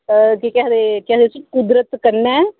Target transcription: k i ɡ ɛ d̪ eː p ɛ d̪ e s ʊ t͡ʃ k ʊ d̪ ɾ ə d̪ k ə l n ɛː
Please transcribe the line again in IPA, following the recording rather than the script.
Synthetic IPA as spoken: k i k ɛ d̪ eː k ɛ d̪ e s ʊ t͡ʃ k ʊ d̪ ɾ ə t̪ k ə ɾ n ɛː